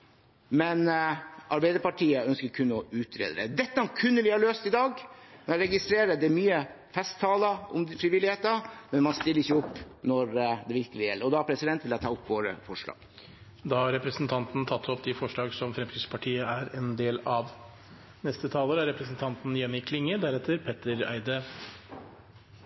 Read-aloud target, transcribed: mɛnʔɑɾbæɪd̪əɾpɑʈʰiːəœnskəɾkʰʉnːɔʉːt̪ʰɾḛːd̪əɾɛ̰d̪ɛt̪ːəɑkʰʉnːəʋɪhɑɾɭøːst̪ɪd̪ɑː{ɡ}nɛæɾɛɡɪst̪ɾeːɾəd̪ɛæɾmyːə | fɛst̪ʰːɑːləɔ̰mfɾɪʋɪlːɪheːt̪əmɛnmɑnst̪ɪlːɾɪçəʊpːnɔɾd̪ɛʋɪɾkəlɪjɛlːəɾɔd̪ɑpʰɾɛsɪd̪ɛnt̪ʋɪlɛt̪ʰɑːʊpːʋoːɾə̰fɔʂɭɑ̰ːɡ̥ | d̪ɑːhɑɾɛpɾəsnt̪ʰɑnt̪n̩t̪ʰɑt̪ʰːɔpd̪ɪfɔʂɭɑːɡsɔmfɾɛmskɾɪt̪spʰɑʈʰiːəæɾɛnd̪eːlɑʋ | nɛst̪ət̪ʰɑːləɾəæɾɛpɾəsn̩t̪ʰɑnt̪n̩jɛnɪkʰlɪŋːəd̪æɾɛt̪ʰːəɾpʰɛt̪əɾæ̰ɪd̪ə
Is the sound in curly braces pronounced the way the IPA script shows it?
yes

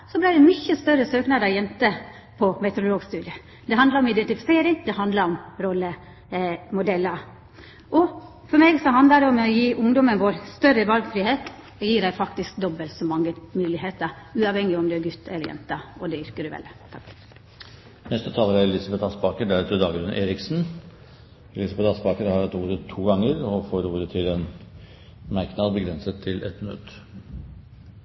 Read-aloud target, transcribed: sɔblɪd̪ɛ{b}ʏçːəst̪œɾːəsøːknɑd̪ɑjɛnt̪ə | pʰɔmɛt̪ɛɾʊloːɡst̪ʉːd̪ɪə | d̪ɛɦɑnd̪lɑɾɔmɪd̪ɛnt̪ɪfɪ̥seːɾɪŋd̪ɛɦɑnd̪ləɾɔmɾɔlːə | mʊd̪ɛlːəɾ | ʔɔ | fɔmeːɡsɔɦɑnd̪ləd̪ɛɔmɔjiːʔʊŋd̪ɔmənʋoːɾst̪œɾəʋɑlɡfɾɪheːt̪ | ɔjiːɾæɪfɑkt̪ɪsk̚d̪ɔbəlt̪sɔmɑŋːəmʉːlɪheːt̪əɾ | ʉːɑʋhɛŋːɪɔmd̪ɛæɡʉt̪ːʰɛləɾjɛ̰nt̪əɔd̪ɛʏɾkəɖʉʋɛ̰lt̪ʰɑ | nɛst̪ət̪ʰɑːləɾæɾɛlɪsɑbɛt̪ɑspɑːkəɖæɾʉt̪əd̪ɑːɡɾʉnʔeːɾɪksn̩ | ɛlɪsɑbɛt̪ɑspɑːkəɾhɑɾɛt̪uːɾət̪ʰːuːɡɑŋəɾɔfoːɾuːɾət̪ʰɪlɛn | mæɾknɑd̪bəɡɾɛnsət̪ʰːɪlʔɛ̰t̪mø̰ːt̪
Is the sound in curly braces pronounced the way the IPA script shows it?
no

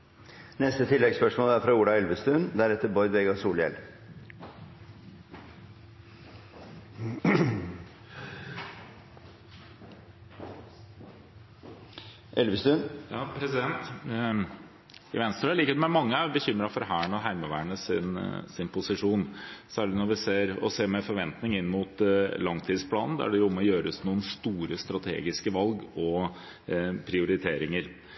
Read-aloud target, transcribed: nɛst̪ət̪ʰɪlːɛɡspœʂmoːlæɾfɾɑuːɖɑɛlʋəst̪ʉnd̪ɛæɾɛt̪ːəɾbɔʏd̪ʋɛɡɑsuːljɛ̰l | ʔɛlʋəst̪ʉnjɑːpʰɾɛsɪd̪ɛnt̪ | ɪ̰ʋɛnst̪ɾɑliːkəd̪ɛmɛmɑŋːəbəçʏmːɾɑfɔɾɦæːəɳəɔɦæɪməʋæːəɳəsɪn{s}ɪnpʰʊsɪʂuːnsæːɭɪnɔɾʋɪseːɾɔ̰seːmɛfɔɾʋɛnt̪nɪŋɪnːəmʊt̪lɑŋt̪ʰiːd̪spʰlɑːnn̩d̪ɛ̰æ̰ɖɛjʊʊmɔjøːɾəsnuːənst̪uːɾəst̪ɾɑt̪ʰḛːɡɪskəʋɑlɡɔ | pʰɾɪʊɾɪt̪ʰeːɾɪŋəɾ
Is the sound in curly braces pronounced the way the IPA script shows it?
yes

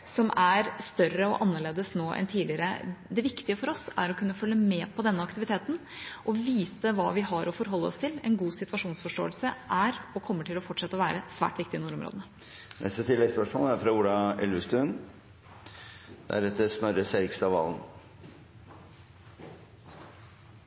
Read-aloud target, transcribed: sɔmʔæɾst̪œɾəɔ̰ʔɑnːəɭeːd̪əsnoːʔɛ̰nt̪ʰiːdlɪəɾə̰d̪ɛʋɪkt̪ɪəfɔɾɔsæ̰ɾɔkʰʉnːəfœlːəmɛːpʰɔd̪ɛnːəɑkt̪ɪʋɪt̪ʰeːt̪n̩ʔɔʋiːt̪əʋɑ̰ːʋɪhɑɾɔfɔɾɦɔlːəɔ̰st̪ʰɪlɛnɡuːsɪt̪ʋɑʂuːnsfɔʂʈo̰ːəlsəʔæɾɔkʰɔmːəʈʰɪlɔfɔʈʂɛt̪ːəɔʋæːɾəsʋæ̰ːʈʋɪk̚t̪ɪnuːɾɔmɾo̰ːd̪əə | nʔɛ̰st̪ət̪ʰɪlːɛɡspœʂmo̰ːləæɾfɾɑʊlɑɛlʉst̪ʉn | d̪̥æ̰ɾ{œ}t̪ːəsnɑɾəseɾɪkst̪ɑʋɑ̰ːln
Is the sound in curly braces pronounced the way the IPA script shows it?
no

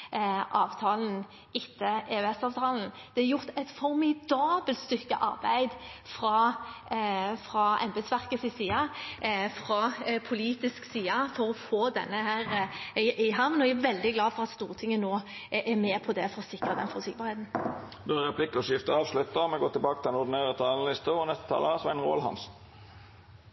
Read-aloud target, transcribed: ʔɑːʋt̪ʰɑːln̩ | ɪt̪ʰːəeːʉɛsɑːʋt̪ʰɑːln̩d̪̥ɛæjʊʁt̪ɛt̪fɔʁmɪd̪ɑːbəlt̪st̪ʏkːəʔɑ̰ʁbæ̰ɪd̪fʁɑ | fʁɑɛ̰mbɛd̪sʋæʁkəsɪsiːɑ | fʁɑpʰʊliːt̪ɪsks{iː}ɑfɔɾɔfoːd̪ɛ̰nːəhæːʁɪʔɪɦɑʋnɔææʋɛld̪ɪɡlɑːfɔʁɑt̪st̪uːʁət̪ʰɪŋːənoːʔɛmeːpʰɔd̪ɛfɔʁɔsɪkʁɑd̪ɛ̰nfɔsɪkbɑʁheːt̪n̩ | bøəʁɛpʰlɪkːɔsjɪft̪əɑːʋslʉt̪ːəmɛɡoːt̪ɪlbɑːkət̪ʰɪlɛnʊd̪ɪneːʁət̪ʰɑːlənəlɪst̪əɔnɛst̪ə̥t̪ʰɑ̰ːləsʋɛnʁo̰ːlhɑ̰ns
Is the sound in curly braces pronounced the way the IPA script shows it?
yes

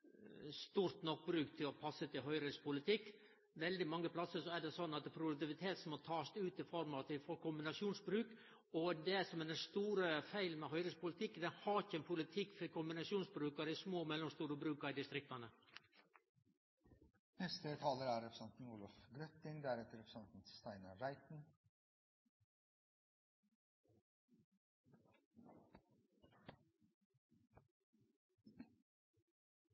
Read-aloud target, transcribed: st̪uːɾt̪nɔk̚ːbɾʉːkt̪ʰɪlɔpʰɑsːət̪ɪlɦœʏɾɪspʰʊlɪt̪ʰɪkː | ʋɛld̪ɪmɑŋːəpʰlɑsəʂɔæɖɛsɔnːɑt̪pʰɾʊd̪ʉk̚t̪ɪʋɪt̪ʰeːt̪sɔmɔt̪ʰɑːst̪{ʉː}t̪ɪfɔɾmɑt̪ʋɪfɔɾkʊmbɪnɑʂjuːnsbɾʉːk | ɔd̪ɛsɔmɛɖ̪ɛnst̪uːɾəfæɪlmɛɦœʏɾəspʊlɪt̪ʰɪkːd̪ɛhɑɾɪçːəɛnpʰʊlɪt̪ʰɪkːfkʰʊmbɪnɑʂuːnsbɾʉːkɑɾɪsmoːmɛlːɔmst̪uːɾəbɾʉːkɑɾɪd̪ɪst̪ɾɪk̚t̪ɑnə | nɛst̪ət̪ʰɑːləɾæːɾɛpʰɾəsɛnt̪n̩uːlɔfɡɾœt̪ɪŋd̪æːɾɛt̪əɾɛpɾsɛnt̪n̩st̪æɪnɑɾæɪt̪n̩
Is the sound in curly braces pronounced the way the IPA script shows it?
yes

